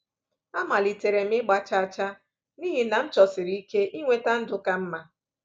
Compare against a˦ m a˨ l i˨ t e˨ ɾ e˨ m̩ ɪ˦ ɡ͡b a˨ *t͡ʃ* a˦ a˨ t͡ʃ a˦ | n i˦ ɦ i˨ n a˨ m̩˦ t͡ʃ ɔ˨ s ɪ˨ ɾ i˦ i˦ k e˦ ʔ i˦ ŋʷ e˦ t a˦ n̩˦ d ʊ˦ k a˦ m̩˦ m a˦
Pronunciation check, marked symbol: correct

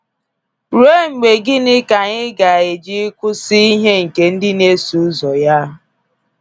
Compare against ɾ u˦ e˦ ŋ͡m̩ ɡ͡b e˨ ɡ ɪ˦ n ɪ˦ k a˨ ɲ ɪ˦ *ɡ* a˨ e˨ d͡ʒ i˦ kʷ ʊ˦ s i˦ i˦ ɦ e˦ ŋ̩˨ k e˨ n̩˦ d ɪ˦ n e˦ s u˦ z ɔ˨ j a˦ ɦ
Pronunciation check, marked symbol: correct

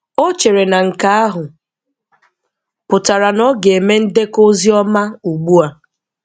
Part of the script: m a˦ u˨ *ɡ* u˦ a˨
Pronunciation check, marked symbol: incorrect: ɡ͡b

